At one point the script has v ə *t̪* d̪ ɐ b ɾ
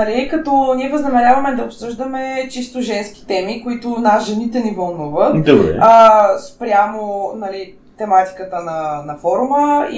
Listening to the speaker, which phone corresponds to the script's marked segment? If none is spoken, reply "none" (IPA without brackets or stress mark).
t̪